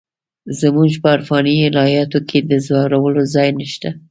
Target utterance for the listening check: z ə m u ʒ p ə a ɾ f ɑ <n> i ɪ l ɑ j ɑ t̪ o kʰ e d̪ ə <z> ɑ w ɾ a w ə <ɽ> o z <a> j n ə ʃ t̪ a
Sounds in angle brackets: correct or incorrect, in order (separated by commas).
correct, correct, incorrect, incorrect